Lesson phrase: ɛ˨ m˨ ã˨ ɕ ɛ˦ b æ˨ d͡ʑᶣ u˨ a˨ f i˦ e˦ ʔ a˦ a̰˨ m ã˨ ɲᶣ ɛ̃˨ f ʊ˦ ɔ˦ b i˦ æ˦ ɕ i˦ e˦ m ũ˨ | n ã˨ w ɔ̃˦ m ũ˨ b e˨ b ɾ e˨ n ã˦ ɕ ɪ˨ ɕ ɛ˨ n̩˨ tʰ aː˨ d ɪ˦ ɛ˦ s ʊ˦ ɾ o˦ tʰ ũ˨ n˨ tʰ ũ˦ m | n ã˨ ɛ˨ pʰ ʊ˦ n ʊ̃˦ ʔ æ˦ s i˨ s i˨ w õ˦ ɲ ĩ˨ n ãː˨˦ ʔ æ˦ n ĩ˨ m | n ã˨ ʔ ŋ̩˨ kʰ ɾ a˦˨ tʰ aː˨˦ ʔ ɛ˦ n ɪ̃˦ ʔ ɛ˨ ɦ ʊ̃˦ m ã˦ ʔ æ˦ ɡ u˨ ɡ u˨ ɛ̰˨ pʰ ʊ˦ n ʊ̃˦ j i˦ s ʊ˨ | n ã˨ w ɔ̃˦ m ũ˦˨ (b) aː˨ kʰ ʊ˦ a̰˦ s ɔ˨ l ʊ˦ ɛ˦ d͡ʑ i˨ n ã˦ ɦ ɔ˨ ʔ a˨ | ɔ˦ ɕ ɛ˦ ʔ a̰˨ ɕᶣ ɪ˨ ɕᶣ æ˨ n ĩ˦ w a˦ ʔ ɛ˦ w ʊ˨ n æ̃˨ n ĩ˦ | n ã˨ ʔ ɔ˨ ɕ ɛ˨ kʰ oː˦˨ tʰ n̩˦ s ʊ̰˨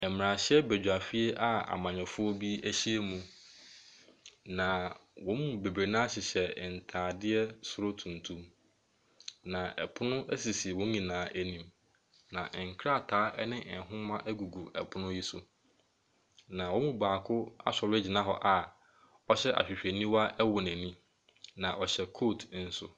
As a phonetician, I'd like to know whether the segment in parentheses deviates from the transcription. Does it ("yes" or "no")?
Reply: no